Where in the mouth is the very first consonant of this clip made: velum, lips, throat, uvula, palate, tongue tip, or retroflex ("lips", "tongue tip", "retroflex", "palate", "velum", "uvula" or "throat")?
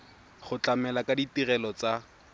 uvula